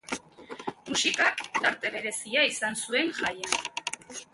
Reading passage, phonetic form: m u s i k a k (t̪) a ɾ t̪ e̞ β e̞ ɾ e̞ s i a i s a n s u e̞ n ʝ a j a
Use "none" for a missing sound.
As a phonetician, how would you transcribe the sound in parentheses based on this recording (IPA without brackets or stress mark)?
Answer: t̪